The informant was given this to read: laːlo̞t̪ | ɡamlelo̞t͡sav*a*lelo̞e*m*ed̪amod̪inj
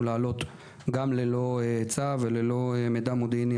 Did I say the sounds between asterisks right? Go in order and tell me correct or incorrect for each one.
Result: incorrect: e, correct

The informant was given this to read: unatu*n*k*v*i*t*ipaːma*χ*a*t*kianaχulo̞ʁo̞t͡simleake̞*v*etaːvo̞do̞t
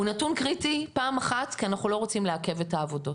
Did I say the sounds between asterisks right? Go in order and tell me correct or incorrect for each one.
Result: correct, incorrect: ʁ, correct, correct, correct, correct

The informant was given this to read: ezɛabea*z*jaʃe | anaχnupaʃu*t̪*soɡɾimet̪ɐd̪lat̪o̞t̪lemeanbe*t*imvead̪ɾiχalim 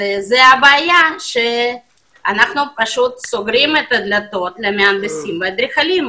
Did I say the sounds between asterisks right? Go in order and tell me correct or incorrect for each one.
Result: incorrect: none, correct, incorrect: s

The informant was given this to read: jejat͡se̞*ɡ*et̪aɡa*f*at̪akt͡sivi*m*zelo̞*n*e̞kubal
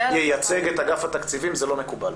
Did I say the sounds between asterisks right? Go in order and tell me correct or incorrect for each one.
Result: correct, correct, correct, incorrect: m

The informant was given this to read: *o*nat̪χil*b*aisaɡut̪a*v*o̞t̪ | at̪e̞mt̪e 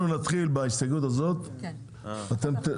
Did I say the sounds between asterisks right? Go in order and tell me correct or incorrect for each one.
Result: incorrect: u, correct, incorrect: z

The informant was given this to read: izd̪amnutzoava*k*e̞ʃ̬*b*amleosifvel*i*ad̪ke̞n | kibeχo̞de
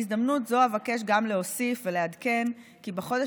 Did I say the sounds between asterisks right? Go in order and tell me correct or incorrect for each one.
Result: correct, incorrect: ɡ, incorrect: e

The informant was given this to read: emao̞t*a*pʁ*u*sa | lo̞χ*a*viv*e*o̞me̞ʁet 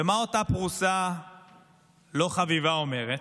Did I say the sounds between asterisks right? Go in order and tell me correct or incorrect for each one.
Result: correct, correct, correct, incorrect: a

